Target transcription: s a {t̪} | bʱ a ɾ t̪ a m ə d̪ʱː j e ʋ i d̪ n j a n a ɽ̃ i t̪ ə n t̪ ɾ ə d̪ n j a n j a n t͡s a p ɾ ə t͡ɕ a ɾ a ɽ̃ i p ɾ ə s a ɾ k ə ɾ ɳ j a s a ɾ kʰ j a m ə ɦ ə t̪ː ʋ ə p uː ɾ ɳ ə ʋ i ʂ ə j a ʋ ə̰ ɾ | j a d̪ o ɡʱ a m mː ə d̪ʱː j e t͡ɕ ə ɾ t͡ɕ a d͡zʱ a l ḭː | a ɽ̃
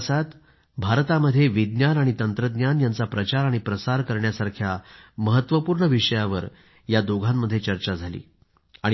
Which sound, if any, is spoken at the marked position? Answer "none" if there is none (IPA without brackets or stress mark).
t̪